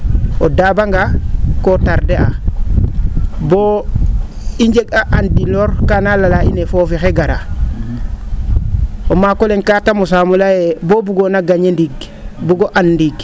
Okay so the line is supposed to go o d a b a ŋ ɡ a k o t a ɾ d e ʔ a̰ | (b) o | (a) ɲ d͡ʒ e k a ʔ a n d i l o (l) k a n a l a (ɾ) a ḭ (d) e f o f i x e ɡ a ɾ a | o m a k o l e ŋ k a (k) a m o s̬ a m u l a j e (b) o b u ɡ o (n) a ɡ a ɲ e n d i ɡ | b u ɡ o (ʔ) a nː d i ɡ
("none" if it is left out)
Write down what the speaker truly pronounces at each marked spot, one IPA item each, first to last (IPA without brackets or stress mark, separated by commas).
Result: b, i, ɾ, l, n, t, b, n, ʔ